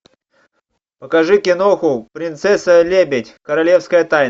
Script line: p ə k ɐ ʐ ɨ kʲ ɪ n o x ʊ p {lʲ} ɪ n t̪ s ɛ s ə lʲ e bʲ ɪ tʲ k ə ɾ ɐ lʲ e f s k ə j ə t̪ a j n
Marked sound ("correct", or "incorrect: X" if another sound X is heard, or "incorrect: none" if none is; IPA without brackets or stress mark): incorrect: ɾʲ